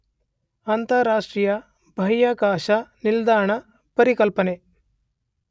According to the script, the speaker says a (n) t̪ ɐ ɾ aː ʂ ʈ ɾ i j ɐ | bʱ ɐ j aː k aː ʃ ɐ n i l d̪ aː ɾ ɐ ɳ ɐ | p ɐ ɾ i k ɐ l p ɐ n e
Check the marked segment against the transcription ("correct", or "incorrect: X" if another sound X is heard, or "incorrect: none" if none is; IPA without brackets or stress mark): correct